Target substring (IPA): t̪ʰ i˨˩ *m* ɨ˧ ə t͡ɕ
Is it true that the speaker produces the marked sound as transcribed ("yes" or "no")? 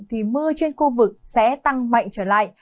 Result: yes